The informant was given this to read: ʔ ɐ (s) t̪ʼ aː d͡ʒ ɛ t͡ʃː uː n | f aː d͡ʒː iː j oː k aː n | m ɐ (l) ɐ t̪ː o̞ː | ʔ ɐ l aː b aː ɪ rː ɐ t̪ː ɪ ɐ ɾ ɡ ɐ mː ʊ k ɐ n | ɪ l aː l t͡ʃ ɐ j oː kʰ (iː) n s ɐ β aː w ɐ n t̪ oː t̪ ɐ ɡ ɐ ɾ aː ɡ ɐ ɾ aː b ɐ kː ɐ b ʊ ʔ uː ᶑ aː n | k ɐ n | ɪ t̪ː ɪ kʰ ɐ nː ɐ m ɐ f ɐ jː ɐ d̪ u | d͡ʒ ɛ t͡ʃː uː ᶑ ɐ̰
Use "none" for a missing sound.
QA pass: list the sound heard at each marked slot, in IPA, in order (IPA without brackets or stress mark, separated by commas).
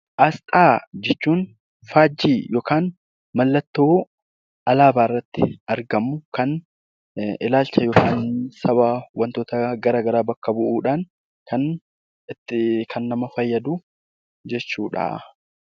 s, lː, aː